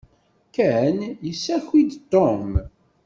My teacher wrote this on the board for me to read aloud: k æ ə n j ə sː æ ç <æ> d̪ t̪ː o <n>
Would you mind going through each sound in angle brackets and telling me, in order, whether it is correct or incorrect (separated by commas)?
incorrect, incorrect